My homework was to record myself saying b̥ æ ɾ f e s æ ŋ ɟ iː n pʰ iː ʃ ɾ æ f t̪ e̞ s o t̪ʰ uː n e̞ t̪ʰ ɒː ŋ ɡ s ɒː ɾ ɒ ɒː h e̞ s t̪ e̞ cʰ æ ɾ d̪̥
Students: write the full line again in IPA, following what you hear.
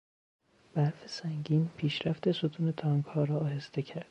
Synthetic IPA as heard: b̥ æ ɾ f e s æ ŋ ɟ iː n pʰ iː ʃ ɾ æ f t̪ e̞ s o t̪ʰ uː n e̞ t̪ʰ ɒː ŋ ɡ h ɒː ɾ ɒ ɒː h e̞ s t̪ e̞ cʰ æ ɾ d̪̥